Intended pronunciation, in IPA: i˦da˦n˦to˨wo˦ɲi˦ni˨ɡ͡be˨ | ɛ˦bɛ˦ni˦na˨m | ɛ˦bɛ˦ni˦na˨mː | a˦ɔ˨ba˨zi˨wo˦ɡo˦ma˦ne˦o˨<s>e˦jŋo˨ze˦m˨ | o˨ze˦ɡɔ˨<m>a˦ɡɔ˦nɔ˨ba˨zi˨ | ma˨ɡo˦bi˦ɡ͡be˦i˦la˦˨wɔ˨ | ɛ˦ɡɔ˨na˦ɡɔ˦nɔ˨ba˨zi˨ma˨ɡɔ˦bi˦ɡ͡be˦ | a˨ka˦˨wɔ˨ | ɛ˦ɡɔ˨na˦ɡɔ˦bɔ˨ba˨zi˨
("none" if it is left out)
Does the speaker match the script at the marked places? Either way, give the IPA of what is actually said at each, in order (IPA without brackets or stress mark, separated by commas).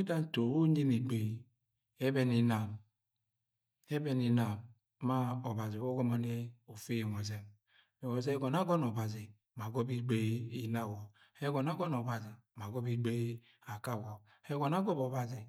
f, n